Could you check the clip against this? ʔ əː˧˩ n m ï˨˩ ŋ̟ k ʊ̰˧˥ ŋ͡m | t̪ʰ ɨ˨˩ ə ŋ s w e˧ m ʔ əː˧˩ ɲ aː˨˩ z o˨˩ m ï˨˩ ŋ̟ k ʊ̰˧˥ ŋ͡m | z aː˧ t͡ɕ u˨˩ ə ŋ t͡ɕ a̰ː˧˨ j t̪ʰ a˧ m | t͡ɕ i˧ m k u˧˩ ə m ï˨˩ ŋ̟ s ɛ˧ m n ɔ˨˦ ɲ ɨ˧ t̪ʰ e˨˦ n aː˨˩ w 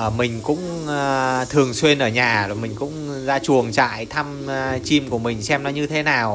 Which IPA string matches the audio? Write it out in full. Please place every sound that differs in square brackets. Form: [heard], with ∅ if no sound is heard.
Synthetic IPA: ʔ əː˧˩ [∅] m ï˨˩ ŋ̟ k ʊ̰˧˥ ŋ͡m | t̪ʰ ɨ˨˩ ə ŋ s w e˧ [n] ʔ əː˧˩ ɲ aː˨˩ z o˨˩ m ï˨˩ ŋ̟ k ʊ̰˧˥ ŋ͡m | z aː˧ t͡ɕ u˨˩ ə ŋ t͡ɕ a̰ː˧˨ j t̪ʰ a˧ m | t͡ɕ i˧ m k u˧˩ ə m ï˨˩ ŋ̟ s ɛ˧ m n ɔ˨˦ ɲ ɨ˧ t̪ʰ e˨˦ n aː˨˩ w